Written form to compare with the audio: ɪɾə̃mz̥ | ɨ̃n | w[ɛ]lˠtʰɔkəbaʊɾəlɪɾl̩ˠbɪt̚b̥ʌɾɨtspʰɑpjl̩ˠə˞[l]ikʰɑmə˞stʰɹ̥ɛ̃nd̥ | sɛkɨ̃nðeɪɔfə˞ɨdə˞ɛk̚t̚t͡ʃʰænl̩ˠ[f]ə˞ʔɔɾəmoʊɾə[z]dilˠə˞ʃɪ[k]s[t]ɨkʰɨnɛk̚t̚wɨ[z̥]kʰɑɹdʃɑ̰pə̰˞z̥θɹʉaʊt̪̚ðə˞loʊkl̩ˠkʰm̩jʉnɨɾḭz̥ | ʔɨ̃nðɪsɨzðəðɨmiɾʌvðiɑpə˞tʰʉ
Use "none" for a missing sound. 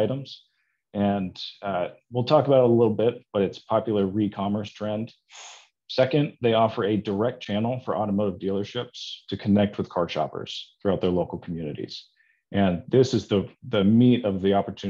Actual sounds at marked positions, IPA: i, ɹ, f, v, p, tʰ, ð̥

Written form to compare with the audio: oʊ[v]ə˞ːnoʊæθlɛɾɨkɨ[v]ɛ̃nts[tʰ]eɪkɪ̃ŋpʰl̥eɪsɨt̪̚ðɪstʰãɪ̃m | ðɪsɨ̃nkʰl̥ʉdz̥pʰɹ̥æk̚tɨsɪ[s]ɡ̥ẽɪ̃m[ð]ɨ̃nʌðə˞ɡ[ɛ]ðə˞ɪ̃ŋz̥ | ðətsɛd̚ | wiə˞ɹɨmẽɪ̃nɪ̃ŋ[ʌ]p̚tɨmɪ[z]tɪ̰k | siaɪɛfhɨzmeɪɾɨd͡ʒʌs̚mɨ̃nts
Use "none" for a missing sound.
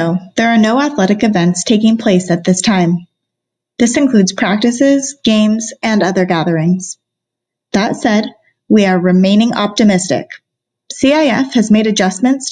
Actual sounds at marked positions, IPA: ð, v, tʰ, z, z, æ, ɑ, s

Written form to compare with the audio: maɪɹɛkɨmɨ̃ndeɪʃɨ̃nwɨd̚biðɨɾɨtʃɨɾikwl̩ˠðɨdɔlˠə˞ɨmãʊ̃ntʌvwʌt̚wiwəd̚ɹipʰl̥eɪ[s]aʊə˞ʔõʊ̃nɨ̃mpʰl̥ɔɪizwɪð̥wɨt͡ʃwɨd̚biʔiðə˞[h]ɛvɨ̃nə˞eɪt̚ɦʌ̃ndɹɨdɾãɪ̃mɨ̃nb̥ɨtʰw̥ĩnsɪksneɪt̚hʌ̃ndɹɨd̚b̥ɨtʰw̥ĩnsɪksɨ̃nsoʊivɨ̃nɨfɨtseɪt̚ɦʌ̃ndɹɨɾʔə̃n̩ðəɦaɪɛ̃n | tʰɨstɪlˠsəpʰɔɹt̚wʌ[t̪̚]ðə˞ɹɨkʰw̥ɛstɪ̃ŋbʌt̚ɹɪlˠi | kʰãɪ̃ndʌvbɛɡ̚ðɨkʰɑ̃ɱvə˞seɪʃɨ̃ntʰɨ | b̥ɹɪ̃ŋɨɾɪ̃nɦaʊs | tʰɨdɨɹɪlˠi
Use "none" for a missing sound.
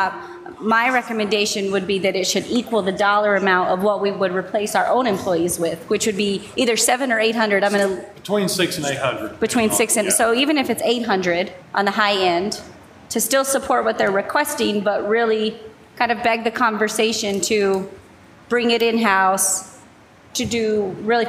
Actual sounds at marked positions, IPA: s, s, t̪̚

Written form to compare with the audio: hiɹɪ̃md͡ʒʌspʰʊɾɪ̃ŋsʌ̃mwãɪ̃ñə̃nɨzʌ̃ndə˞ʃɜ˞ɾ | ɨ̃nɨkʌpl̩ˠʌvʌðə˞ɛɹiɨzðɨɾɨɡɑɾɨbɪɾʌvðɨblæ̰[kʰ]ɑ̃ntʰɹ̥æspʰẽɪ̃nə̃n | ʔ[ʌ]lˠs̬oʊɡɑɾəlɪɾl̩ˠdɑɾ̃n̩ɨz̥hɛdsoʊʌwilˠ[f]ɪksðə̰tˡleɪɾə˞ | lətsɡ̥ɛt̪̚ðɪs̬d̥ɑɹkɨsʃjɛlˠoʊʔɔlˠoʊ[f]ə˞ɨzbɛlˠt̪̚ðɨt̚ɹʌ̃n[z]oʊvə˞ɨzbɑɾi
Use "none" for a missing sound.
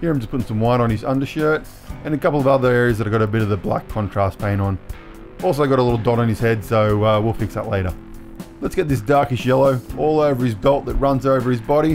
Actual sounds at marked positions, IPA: kʰ, ɔ, f, v, z

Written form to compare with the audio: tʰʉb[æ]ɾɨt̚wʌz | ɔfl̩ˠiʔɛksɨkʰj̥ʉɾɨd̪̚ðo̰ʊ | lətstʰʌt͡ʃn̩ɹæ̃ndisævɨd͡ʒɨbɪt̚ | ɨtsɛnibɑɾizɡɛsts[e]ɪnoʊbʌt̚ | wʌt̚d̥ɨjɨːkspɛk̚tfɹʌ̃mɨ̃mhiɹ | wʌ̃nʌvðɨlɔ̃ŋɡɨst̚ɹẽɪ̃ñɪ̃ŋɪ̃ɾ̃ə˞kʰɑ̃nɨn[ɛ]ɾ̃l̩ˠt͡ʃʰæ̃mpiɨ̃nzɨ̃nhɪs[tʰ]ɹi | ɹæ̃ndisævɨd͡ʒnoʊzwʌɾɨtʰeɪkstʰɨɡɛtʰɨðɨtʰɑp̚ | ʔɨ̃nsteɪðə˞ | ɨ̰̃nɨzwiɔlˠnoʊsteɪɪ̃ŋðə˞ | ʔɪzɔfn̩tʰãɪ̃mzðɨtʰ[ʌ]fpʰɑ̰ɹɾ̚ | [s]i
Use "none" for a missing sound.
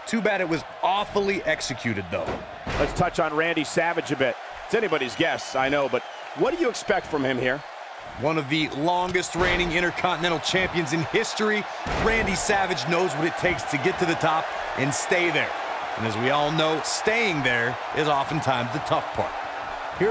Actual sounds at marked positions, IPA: æ, a, ɛ̃, t, ʌ, h

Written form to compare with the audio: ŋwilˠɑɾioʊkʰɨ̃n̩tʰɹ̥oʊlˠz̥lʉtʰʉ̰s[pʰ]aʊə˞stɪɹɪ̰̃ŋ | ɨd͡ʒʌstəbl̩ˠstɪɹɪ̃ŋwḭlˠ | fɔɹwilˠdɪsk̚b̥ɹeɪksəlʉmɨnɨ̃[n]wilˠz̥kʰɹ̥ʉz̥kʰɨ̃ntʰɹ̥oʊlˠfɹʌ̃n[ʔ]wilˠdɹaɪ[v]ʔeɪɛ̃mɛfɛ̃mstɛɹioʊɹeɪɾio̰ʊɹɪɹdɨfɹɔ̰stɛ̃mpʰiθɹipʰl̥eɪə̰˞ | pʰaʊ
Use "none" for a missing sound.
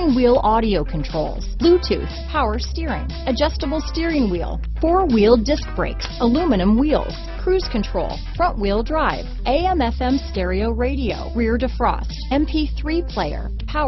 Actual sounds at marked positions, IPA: pʰ, m, ʔ, v

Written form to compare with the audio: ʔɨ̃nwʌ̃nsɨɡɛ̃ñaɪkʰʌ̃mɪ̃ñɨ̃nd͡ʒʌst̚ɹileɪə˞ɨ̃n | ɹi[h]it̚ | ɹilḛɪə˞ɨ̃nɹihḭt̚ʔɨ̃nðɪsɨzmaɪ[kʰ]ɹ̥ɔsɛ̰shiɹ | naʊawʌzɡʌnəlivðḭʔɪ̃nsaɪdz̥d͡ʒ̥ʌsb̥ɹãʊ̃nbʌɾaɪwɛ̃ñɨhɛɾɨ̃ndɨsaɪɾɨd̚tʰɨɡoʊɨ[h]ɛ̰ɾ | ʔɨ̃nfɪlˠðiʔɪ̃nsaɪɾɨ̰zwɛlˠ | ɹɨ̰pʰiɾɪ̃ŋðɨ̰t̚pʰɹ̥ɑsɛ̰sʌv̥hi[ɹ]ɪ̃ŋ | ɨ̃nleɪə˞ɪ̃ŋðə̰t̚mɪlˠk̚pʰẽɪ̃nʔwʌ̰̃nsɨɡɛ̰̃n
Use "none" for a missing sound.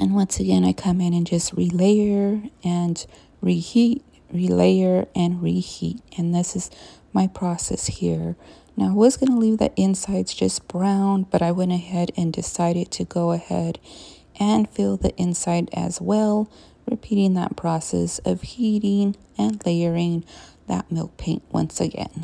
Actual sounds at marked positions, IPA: h, pʰ, h, ɾ

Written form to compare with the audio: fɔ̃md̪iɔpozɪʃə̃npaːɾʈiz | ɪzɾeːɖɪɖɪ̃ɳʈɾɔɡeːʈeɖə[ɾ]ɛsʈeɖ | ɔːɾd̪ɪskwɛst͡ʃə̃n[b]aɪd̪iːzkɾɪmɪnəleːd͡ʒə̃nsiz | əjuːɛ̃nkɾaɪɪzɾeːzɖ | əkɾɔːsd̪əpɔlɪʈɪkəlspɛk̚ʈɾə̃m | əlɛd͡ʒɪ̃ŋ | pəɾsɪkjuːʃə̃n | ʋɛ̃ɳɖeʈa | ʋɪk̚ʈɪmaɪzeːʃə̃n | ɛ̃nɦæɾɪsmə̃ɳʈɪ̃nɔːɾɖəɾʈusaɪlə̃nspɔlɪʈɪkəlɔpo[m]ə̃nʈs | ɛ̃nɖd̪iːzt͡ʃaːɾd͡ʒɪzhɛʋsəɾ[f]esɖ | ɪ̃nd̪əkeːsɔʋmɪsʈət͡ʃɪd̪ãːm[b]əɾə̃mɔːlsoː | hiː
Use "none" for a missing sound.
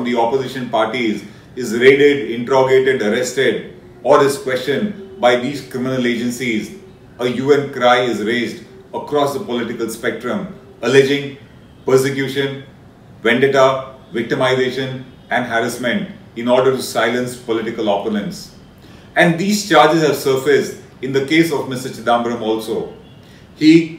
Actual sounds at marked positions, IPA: ɾ, b, n, f, b

